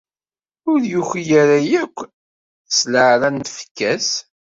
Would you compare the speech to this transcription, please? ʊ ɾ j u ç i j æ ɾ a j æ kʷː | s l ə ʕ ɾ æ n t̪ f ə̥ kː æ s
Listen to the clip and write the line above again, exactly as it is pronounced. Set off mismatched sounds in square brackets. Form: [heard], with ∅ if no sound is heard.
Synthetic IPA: ʊ ɾ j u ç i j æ ɾ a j æ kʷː | s l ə ʕ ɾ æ n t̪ f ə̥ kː æ s